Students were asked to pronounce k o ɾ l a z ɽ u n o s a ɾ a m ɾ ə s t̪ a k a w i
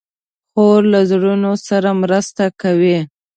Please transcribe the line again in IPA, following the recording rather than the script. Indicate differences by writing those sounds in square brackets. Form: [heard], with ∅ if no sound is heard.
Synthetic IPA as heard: [x] o ɾ l a z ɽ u n o s a ɾ a m ɾ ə s t̪ a k a w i